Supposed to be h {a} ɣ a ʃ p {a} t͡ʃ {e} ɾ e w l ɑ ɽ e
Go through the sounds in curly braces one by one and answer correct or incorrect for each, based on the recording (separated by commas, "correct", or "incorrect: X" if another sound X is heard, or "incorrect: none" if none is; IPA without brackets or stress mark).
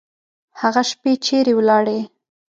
correct, incorrect: e, correct